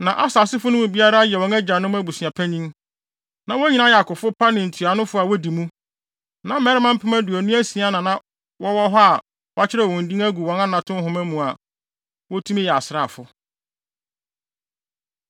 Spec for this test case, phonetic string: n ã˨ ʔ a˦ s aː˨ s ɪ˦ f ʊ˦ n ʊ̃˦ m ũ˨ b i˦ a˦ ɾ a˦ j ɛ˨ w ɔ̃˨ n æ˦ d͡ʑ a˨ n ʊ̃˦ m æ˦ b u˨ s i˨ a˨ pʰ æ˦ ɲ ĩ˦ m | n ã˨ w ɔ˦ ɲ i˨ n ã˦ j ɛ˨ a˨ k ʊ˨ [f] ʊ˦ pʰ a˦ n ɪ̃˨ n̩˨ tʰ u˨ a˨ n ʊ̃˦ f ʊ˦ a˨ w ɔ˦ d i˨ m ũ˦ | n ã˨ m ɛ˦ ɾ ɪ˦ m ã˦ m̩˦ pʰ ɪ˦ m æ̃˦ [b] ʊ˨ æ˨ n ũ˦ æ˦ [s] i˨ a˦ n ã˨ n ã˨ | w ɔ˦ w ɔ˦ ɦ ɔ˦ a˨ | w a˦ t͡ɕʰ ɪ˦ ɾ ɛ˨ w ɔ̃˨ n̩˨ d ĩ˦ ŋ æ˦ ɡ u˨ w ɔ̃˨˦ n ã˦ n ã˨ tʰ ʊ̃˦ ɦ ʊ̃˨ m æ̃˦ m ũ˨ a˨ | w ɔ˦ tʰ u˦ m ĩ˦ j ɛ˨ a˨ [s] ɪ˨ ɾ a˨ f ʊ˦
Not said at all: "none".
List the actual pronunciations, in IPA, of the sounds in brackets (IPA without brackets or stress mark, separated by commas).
f, d, s, s